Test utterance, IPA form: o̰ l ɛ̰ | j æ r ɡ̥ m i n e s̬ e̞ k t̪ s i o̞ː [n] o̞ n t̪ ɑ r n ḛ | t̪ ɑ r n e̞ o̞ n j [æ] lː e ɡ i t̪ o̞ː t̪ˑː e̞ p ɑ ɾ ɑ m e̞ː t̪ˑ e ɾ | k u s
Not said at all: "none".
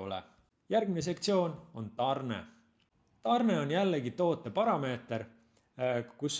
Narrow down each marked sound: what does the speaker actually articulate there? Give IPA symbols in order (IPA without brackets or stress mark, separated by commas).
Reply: n, æ